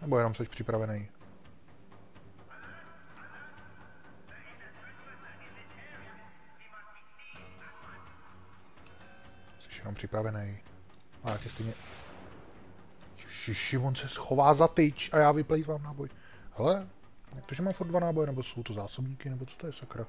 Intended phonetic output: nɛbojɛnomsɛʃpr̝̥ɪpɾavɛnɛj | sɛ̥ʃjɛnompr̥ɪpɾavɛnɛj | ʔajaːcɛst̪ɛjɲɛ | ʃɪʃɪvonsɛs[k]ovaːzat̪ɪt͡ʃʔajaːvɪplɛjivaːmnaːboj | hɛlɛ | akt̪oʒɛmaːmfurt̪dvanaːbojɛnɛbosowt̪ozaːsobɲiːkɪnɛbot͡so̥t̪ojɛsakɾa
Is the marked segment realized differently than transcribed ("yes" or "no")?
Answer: yes